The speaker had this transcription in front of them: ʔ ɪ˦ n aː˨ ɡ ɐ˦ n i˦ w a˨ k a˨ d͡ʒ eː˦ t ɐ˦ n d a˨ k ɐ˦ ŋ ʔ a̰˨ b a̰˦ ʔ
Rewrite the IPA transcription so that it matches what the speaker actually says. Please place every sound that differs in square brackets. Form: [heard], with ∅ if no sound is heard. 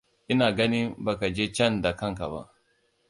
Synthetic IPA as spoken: ʔ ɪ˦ n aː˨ ɡ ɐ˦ n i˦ [b] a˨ k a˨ d͡ʒ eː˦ [t͡ʃ] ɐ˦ n d a˨ k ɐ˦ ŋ [k] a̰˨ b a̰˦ ʔ